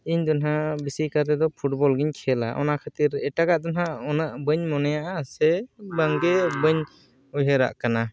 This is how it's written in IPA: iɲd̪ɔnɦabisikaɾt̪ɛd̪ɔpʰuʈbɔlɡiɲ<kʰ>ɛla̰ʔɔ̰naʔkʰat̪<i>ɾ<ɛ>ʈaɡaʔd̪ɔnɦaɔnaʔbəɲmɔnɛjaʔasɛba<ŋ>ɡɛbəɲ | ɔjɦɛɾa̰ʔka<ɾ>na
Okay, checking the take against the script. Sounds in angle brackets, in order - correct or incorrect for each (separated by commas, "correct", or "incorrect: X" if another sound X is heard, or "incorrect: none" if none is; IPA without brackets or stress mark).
correct, correct, correct, correct, incorrect: none